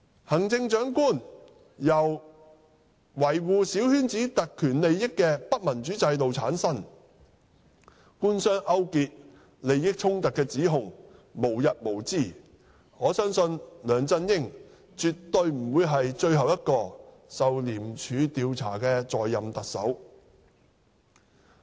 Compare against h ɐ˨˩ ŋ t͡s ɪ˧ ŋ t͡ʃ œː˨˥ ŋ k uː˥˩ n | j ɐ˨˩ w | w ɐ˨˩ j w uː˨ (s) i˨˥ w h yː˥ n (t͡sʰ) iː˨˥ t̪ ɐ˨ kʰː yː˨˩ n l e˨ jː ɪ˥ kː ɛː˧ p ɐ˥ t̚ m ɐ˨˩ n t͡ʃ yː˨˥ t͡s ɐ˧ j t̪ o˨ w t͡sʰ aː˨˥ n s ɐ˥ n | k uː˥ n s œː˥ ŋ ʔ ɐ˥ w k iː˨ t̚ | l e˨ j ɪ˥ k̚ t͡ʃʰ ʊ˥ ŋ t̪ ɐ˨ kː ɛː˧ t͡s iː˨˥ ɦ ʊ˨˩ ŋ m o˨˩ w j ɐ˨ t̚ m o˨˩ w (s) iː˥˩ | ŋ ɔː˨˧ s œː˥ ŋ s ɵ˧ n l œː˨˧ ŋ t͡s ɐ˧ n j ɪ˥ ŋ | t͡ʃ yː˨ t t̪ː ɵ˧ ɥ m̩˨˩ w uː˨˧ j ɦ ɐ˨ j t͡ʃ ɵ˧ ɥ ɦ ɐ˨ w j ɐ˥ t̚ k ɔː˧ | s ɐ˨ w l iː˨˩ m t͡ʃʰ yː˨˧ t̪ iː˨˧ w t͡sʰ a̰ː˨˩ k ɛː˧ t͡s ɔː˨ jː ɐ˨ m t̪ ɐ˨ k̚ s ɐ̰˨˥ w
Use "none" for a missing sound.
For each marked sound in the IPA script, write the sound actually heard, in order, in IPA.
s, t͡s, t͡s

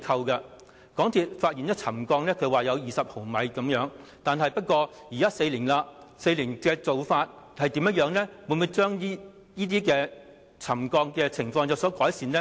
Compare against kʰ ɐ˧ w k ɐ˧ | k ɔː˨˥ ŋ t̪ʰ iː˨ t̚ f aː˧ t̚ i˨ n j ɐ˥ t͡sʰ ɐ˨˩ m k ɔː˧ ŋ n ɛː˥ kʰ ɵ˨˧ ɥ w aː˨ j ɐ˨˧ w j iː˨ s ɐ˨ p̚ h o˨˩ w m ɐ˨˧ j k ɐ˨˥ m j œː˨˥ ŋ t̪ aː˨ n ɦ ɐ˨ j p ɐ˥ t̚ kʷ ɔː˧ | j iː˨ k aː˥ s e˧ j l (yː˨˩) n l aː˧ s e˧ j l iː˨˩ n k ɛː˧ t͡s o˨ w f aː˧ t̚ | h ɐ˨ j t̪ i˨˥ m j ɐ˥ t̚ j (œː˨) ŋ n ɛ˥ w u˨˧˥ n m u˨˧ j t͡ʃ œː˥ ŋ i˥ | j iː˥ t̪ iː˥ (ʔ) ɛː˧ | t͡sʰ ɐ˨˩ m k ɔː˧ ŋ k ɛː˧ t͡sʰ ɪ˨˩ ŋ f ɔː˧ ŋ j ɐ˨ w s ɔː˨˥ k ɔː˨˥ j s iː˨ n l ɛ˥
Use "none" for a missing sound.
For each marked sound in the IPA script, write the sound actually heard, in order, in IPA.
iː˨˩, œː˨˥, k

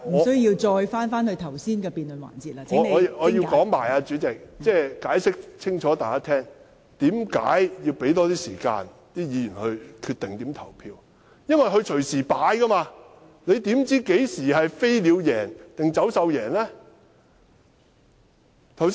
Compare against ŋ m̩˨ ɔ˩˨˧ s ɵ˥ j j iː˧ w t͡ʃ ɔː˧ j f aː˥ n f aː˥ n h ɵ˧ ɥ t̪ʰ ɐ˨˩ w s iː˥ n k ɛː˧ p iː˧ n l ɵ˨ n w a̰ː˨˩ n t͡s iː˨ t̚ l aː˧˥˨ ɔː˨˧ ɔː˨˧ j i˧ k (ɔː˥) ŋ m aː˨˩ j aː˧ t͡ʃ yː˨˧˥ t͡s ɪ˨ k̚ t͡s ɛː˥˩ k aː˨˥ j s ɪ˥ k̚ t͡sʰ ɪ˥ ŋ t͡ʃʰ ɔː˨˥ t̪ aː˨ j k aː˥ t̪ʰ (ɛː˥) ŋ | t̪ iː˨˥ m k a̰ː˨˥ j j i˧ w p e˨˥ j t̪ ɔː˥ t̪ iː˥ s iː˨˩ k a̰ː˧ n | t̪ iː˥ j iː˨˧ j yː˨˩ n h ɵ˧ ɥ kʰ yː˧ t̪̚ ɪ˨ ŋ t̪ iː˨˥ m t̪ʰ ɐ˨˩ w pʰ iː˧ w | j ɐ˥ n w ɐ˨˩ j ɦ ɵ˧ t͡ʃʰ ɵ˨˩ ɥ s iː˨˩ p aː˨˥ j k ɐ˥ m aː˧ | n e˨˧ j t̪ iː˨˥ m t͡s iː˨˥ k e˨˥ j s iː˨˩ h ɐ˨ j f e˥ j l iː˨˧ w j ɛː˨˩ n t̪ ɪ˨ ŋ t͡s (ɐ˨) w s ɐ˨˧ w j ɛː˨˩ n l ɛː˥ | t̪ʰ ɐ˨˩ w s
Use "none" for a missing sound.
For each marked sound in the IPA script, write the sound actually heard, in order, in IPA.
ɔː˨˥, ɛː˥, ɐ˨˥

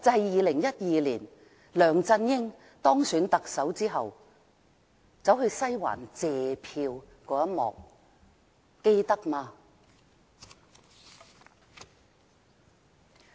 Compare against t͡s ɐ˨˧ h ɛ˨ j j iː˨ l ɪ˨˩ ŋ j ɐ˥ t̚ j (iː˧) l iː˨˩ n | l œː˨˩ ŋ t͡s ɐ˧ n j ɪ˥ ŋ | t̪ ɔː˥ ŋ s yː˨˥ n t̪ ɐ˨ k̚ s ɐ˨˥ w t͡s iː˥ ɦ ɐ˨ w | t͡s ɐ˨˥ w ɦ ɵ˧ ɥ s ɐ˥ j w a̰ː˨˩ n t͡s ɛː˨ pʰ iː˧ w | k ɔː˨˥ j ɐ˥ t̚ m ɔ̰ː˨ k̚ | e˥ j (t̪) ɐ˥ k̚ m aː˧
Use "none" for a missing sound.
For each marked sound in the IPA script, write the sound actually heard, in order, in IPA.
iː˧, t̪

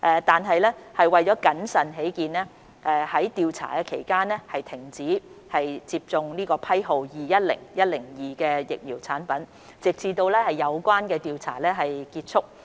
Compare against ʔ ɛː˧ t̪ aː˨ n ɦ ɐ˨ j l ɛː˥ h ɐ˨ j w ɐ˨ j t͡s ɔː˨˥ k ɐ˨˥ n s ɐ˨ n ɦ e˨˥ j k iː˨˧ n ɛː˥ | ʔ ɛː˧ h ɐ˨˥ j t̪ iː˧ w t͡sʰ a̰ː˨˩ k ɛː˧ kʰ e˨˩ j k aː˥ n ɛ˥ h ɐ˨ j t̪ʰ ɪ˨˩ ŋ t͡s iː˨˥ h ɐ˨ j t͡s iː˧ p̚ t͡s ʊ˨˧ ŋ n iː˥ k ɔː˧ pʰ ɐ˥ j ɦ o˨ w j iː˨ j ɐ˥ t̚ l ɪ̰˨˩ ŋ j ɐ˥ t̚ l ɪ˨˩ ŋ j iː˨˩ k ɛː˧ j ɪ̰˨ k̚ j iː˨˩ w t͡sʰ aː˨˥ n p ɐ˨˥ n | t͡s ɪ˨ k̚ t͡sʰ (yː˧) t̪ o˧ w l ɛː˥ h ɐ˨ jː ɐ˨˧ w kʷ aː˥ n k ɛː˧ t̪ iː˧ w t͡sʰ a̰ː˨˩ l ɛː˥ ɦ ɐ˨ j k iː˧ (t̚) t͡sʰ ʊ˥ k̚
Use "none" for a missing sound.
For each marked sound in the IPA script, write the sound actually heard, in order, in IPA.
iː˧, t̚

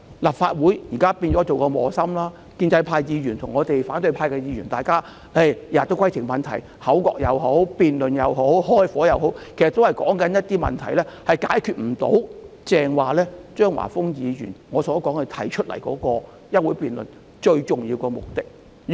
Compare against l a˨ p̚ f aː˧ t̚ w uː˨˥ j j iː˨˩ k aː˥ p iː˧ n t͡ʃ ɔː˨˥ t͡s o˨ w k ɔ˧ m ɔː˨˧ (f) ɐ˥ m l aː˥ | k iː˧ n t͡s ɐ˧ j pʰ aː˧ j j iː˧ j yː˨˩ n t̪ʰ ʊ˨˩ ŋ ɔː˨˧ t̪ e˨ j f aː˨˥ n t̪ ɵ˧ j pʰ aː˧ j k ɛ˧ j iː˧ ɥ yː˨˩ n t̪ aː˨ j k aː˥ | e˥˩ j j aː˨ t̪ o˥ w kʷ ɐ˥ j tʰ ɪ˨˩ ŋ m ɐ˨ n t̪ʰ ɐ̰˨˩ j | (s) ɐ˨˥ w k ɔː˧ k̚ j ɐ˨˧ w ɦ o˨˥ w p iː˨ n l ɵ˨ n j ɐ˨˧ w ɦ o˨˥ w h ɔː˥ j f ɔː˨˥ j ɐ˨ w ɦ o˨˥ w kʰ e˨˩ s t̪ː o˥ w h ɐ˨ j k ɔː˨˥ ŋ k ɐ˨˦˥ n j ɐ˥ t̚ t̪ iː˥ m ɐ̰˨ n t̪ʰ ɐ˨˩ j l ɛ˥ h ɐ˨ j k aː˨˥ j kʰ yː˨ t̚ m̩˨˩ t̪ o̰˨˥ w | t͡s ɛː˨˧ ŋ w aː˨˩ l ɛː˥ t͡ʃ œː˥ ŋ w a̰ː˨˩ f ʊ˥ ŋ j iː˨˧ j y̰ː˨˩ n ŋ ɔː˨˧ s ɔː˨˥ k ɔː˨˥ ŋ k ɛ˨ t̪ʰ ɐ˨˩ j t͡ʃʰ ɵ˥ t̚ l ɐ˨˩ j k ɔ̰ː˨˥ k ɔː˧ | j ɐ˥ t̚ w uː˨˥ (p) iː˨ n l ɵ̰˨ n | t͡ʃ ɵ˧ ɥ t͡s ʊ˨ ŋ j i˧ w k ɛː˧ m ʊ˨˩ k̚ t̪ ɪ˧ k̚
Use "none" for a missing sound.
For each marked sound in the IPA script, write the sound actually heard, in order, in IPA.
s, h, p

